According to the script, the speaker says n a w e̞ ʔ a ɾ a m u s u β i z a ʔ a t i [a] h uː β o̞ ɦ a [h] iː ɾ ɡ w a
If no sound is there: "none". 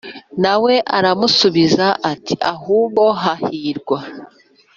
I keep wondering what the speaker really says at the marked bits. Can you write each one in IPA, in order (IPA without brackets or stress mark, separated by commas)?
a, h